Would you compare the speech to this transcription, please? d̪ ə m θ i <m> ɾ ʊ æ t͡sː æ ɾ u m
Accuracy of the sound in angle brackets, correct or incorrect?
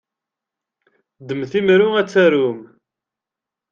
correct